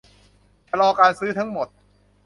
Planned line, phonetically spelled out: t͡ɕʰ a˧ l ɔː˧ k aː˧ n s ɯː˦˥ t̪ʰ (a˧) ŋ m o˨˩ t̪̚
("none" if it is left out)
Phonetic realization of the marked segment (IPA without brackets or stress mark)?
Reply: a˦˥